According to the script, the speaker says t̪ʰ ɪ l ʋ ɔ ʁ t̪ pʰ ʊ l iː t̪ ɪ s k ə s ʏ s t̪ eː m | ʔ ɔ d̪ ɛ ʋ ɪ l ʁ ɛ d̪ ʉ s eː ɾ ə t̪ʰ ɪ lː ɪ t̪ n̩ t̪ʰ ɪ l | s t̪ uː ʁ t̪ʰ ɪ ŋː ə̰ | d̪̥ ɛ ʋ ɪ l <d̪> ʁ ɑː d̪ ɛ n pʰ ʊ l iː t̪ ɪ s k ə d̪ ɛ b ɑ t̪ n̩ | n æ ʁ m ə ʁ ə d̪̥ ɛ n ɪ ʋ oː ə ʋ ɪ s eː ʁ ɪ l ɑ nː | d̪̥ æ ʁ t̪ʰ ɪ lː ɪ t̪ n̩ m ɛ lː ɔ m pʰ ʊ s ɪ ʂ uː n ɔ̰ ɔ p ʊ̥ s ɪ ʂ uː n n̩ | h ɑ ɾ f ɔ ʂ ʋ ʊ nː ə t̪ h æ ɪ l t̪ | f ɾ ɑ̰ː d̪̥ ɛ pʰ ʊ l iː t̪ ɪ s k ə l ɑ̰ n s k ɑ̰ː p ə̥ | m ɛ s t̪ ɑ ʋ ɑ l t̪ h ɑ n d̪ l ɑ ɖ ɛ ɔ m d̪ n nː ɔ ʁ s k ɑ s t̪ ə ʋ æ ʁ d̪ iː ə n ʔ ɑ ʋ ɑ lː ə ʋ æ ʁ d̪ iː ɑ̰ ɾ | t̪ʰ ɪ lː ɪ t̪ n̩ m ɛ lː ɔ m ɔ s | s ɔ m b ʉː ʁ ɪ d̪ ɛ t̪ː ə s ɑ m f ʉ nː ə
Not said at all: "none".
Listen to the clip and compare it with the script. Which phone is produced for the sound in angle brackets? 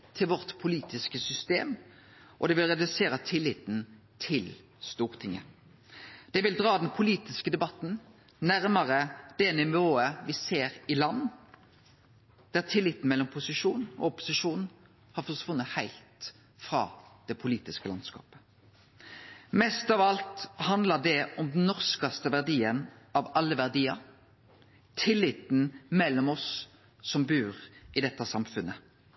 d̪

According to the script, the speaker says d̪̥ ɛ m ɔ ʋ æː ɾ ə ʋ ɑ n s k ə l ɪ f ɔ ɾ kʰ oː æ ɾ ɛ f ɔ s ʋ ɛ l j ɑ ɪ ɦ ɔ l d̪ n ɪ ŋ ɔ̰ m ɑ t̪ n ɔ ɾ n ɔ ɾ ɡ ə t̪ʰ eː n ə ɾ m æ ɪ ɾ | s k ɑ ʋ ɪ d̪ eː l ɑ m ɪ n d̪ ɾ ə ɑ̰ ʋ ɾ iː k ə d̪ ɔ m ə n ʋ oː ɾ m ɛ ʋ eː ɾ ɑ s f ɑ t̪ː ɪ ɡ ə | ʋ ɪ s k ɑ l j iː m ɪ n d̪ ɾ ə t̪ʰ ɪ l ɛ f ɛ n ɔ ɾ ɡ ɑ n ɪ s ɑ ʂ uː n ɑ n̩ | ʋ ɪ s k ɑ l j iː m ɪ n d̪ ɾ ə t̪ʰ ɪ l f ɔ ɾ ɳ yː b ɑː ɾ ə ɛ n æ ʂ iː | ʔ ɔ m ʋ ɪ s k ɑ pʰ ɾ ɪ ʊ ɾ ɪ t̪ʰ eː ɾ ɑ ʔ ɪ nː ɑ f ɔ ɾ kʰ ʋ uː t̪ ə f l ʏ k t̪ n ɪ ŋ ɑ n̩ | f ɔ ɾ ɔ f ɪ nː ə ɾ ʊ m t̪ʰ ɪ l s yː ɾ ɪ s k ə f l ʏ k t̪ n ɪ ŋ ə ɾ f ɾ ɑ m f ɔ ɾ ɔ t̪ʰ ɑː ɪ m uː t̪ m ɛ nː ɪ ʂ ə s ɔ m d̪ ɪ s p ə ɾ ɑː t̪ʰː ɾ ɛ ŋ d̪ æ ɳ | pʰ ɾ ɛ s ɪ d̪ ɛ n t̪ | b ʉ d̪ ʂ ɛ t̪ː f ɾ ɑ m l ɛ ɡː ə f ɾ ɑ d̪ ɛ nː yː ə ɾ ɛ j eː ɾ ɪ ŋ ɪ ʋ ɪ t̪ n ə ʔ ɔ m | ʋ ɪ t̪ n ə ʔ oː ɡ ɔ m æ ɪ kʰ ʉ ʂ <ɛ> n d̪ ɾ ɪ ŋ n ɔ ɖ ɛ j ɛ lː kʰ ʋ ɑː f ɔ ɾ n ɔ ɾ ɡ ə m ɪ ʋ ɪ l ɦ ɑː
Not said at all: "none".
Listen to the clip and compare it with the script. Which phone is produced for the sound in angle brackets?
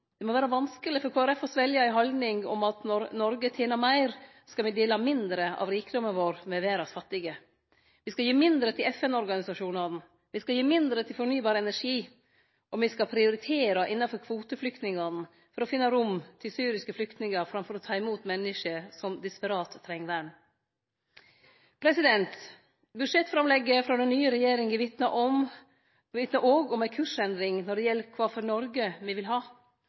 ɛ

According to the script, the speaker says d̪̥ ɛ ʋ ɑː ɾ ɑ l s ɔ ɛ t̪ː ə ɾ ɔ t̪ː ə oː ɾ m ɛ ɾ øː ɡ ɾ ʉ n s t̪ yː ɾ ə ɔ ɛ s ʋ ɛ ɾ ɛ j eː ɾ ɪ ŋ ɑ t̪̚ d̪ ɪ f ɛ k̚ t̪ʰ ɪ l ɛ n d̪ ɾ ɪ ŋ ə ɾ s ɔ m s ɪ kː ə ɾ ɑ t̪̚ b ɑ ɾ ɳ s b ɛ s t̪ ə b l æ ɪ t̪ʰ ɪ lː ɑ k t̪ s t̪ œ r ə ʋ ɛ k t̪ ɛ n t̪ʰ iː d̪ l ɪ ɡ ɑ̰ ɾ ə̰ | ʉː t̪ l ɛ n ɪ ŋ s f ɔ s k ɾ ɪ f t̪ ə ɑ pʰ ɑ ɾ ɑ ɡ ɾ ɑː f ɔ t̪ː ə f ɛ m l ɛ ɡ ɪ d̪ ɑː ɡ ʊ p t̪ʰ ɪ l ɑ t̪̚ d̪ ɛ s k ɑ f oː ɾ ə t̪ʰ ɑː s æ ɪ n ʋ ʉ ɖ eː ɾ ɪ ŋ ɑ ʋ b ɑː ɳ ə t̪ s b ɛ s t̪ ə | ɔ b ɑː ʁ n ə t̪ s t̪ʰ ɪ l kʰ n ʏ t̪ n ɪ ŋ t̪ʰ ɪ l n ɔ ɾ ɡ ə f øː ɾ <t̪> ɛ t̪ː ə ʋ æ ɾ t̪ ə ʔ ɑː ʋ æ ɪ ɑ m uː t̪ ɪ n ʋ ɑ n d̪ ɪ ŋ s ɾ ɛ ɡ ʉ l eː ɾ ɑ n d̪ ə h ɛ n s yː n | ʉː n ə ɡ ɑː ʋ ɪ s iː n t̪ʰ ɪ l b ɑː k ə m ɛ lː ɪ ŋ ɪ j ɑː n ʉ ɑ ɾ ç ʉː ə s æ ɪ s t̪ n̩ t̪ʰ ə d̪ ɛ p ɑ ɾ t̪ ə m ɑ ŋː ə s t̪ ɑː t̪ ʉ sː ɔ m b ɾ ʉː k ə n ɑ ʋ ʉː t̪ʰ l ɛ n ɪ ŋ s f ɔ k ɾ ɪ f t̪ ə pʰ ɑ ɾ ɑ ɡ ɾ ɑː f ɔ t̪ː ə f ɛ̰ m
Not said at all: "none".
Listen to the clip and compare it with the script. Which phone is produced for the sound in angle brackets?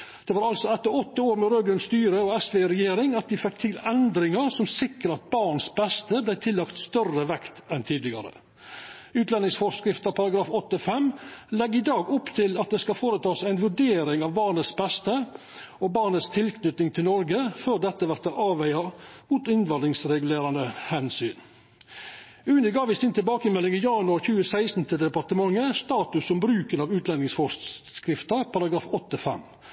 d̪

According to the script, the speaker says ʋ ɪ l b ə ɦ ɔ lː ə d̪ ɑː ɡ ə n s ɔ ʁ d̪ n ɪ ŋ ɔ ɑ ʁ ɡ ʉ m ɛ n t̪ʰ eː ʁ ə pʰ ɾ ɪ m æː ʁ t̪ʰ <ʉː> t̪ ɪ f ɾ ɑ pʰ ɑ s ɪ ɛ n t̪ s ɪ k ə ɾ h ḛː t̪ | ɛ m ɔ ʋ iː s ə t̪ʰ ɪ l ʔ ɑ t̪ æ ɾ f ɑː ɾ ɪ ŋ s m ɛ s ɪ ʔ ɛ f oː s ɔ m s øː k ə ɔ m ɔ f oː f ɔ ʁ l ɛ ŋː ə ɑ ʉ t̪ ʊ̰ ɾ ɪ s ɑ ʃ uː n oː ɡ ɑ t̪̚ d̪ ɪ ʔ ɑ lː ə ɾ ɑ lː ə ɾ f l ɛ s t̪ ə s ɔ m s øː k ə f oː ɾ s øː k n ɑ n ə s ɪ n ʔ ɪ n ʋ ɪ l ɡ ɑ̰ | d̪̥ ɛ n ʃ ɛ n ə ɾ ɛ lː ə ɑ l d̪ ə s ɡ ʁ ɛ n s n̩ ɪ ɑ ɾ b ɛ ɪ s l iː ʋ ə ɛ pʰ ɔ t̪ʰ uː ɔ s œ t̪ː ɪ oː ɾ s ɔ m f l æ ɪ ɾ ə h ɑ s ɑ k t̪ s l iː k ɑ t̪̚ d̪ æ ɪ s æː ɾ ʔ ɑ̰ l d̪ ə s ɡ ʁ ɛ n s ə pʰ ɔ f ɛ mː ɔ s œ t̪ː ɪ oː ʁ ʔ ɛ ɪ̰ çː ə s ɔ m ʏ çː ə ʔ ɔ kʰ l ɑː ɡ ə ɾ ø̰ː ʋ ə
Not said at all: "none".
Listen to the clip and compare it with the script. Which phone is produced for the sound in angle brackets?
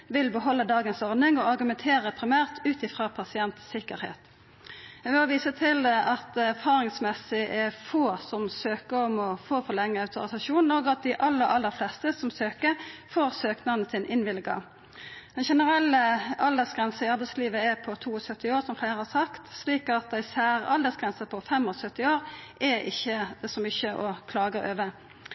ʉː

